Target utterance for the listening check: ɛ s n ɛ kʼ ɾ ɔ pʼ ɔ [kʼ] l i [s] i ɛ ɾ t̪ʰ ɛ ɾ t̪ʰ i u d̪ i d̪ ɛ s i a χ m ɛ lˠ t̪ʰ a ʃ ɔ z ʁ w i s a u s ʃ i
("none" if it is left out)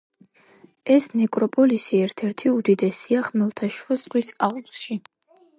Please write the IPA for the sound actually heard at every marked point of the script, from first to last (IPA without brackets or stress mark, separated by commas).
none, s